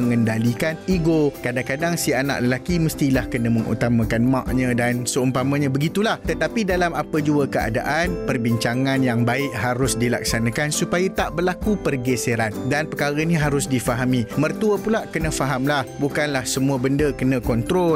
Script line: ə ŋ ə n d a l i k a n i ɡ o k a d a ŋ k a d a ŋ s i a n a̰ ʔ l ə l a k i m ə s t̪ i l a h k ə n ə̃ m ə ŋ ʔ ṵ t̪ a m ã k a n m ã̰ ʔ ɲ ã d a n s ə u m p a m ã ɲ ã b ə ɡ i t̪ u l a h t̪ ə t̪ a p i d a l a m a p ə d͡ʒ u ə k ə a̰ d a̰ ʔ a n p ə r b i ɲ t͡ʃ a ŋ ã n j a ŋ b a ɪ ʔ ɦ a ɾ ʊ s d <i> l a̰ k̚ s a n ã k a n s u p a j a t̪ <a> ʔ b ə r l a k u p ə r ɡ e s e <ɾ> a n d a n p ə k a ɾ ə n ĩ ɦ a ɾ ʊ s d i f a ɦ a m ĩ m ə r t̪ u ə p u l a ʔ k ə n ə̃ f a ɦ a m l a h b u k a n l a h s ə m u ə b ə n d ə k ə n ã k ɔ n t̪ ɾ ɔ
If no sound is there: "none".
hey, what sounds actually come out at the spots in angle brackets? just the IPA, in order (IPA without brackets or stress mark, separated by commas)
i, a, ɾ